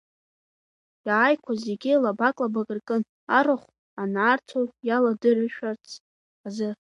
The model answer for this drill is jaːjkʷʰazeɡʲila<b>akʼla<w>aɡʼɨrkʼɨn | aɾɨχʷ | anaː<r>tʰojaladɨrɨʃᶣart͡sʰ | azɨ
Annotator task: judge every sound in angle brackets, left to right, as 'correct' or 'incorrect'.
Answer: correct, incorrect, correct

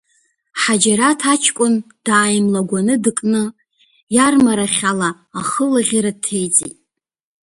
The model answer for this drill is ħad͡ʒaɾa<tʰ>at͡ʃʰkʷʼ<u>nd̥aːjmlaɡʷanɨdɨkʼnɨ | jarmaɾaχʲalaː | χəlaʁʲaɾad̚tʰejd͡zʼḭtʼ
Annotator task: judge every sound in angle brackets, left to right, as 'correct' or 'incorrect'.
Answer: correct, incorrect

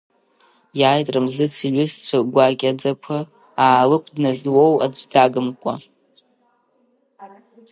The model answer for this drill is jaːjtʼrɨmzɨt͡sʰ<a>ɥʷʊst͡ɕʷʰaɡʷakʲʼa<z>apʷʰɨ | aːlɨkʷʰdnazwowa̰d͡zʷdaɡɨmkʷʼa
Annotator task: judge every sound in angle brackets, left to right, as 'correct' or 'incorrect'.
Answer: incorrect, incorrect

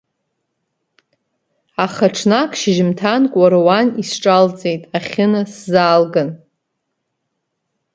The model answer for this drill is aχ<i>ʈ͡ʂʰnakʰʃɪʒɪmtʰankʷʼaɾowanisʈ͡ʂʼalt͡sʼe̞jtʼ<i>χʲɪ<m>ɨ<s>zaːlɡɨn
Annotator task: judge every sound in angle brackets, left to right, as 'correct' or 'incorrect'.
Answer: incorrect, incorrect, incorrect, correct

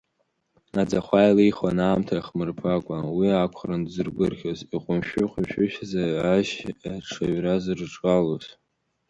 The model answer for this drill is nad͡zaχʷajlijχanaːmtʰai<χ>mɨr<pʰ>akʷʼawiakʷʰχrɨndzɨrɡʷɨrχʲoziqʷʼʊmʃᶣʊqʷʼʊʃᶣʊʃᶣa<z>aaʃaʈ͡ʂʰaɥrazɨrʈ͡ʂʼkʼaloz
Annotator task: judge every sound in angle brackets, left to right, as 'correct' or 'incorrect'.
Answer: correct, correct, correct

